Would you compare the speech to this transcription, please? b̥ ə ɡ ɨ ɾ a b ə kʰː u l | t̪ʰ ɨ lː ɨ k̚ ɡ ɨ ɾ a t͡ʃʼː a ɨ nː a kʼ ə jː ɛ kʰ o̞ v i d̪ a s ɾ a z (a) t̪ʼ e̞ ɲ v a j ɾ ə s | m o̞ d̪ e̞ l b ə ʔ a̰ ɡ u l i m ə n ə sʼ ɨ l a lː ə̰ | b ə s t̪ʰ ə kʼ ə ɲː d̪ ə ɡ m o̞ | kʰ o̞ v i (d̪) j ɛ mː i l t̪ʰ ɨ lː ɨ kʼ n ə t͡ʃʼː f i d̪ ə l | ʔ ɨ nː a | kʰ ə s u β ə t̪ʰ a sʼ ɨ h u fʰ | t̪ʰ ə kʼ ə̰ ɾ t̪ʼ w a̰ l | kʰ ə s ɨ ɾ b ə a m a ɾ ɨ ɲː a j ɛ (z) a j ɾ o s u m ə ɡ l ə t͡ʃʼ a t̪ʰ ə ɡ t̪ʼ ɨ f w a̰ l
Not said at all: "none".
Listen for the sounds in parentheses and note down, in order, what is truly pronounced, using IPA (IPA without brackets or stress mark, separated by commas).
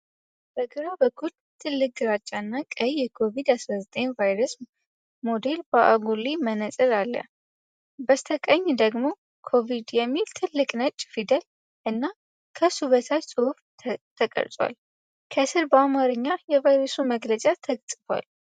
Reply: ə, d̪, v